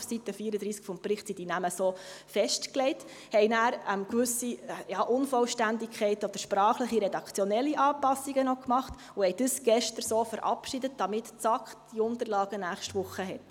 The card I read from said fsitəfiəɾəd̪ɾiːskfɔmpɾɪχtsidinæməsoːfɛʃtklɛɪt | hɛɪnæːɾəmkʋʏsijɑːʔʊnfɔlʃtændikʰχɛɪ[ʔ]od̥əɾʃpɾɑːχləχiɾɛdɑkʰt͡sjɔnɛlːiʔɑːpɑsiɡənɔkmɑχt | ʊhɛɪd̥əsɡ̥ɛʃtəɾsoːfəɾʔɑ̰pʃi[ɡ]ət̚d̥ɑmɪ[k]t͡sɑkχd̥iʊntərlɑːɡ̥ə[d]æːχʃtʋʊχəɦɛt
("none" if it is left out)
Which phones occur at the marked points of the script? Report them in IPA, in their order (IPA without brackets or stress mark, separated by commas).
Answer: t, d, t, n